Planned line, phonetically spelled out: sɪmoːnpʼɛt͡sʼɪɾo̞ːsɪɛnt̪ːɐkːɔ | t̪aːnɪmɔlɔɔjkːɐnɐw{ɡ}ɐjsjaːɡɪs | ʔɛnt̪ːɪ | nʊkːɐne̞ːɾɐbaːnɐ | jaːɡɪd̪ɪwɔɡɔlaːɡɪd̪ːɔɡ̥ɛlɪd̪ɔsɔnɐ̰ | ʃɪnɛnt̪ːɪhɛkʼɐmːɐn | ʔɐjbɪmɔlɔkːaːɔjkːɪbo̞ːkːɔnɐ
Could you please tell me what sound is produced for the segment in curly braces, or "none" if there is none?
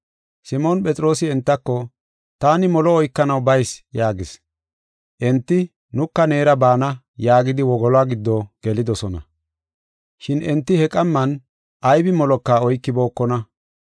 b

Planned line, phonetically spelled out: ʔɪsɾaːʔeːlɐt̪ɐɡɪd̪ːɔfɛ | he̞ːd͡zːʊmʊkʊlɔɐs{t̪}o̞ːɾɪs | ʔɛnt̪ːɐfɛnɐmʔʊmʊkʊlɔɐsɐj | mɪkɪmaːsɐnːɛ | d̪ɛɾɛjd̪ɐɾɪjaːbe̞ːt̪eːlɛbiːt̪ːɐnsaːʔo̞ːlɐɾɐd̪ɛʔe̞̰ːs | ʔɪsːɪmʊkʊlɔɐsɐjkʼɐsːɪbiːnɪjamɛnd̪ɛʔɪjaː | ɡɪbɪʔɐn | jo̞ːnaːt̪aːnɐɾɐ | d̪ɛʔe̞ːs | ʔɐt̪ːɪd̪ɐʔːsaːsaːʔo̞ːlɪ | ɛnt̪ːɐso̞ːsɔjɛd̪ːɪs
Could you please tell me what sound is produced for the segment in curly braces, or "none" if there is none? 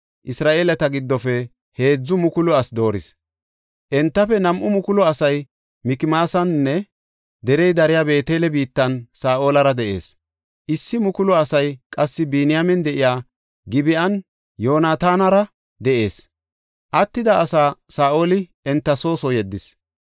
d̪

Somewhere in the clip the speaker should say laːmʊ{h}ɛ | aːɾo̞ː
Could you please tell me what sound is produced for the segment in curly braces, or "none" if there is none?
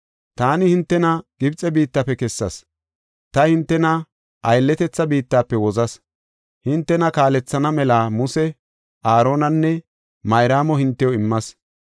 s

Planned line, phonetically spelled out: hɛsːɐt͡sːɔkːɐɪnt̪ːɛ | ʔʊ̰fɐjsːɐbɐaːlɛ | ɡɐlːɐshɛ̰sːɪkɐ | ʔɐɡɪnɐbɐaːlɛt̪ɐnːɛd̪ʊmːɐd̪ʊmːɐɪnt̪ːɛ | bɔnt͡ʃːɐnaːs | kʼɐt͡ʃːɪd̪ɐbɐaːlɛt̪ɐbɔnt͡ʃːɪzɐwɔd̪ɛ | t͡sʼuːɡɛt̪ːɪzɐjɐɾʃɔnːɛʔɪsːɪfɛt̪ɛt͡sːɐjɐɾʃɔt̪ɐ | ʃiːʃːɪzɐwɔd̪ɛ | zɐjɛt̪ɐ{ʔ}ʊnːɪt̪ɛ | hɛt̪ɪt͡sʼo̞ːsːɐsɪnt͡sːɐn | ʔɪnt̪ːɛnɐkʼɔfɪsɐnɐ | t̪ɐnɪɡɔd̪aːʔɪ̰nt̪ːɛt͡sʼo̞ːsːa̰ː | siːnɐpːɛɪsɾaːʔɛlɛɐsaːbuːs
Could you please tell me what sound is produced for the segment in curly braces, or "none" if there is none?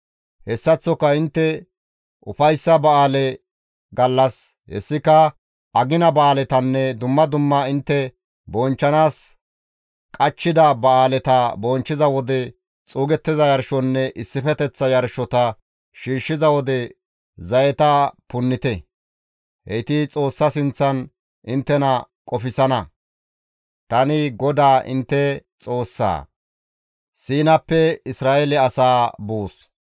p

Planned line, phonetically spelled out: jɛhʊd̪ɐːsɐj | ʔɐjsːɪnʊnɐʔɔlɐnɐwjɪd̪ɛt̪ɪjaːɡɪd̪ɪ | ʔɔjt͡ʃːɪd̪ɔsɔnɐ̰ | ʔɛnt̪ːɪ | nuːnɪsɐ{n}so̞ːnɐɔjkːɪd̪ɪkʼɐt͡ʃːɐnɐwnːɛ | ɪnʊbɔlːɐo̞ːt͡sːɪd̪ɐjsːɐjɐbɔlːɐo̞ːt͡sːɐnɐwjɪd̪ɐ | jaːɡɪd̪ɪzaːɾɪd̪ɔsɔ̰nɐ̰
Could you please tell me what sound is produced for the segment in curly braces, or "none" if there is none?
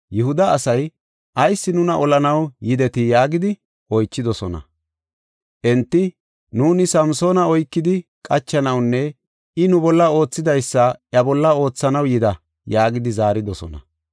m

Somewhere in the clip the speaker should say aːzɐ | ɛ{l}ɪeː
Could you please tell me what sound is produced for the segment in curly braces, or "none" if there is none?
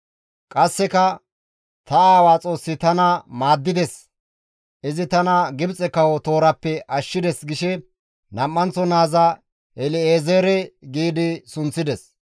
l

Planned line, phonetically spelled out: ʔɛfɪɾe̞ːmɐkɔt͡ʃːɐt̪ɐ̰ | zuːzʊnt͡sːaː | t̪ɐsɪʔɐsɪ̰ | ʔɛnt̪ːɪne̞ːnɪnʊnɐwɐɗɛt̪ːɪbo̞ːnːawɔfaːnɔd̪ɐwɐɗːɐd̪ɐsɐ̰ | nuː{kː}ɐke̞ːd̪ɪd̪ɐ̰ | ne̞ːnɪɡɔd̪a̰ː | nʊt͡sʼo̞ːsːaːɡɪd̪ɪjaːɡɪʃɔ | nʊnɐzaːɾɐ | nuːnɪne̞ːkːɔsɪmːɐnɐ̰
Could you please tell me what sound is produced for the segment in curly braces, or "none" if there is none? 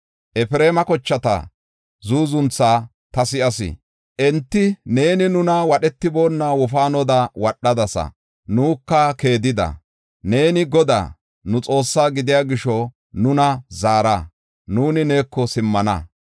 kː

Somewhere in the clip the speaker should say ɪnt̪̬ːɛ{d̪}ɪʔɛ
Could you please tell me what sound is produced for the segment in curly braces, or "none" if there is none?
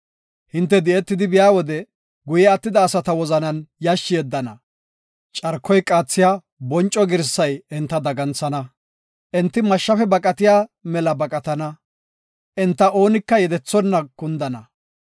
d̪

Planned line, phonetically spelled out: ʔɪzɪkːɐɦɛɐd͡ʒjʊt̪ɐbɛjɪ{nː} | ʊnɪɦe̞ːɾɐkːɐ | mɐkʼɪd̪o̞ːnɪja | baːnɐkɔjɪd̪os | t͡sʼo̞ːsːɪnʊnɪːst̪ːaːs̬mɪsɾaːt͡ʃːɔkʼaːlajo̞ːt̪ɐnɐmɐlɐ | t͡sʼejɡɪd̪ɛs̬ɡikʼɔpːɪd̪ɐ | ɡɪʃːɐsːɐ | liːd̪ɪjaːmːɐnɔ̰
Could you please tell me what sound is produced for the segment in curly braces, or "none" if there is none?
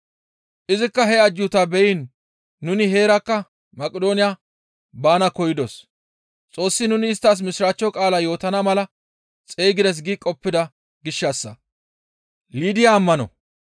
nː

